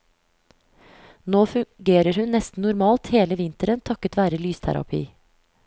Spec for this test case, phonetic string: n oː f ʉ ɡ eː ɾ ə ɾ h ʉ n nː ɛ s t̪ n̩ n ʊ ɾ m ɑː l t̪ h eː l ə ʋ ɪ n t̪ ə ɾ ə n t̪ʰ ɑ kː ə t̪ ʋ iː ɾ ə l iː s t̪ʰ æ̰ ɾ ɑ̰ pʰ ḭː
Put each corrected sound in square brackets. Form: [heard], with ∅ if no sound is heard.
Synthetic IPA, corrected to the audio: n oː f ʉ ɡ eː ɾ ə ɾ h ʉ n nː ɛ s t̪ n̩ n ʊ ɾ m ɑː l t̪ h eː l ə ʋ ɪ n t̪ ə ɾ ə n t̪ʰ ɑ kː ə t̪ ʋ [æː] ɾ ə l [yː] s t̪ʰ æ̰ ɾ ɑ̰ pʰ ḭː

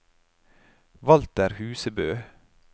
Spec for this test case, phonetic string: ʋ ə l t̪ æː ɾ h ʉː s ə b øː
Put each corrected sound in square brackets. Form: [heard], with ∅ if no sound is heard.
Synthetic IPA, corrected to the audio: ʋ [ɑ] l t̪ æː ɾ h ʉː s ə b øː

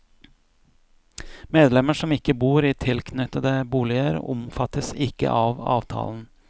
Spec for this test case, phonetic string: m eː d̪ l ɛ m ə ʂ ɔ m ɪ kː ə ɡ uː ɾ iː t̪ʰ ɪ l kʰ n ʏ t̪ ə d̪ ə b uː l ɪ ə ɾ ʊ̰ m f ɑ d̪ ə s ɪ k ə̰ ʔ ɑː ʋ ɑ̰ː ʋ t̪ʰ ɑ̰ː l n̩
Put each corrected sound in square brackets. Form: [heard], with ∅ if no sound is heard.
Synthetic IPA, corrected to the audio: m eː d̪ l ɛ m ə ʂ ɔ m ɪ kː ə [b] uː ɾ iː t̪ʰ ɪ l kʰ n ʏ t̪ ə d̪ ə b uː l ɪ ə ɾ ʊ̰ m f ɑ [t̪] ə s ɪ k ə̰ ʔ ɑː ʋ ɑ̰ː ʋ t̪ʰ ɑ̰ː l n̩

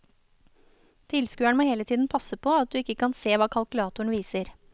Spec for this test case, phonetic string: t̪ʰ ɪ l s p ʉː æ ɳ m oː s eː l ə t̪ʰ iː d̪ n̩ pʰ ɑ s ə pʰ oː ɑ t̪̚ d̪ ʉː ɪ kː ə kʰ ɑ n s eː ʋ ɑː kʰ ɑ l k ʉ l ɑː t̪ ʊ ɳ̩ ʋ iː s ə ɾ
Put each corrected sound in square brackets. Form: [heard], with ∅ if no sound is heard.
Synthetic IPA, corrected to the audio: t̪ʰ ɪ l s [k] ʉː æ ɳ m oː [h] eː l ə t̪ʰ iː d̪ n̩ pʰ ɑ s ə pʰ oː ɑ t̪̚ d̪ ʉː ɪ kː ə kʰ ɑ n s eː ʋ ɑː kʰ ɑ l k ʉ l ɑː t̪ ʊ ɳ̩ ʋ iː s ə ɾ

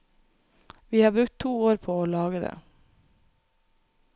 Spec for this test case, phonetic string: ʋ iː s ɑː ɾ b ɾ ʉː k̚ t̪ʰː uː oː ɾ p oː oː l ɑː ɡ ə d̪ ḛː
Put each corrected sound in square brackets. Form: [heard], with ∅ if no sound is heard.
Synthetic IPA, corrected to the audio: ʋ iː [h] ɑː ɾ b ɾ [ʉ] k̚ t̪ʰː uː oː ɾ [pʰ] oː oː l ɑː ɡ ə d̪ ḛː

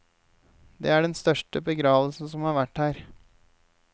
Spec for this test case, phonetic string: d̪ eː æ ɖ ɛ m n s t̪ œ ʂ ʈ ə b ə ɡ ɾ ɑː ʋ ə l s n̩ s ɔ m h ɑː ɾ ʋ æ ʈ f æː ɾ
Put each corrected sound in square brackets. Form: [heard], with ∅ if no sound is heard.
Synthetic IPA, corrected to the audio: d̪ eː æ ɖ ɛ [∅] n s t̪ œ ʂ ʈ ə b ə ɡ ɾ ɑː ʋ ə l s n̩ s ɔ m h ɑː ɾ ʋ æ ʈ [h] æː ɾ

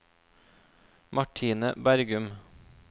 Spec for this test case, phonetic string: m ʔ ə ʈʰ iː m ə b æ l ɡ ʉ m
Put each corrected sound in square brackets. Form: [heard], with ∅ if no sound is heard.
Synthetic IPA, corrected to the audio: m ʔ [ɑ] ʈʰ iː [n] ə b æ [ɾ] ɡ ʉ m

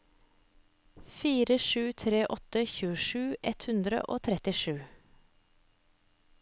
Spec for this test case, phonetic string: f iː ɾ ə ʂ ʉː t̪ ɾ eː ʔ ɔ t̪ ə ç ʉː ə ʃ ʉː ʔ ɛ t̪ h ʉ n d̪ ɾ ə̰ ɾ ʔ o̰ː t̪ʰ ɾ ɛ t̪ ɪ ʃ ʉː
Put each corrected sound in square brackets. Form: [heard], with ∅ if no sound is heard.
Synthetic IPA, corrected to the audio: f iː ɾ ə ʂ ʉː [t̪ʰ] ɾ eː ʔ ɔ t̪ ə ç ʉː ə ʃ ʉː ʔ ɛ t̪ h ʉ n d̪ ɾ ə̰ [∅] ʔ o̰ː t̪ʰ ɾ ɛ t̪ ɪ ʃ ʉː

